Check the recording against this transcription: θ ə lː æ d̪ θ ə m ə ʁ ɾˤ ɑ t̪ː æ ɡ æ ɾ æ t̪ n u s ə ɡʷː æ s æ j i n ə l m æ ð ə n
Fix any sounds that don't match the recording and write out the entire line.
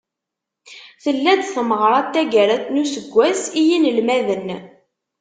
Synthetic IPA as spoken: θ ə lː æ d̪ θ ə m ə ʁ ɾˤ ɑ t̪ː æ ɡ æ ɾ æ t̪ n u s ə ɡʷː æ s i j i n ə l m æ ð ə n